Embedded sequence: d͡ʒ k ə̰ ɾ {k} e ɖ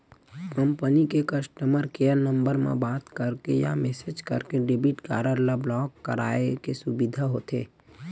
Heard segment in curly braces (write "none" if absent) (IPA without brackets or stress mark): k